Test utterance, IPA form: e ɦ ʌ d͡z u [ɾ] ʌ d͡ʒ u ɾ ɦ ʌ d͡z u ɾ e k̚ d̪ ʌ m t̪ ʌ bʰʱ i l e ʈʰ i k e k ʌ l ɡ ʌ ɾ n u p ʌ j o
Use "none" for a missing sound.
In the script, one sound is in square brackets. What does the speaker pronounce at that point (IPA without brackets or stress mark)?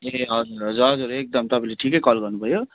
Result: ɾ